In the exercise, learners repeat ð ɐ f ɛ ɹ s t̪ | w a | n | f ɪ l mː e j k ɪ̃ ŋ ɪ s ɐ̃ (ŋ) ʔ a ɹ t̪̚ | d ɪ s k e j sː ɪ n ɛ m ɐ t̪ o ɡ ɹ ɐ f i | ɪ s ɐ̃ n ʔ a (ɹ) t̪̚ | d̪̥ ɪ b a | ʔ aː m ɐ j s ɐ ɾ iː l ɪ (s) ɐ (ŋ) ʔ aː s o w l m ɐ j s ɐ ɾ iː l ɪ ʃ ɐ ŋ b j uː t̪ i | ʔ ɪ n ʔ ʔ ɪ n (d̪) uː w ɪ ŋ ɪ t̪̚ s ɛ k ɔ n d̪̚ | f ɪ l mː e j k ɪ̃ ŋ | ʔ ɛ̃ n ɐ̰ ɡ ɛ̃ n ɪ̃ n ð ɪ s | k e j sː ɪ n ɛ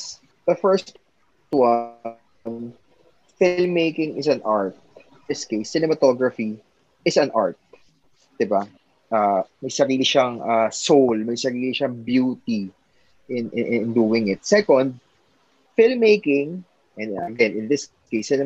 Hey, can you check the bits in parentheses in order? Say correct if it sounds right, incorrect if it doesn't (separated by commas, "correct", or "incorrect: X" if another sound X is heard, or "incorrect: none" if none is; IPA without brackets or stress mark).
incorrect: n, correct, incorrect: ʃ, correct, correct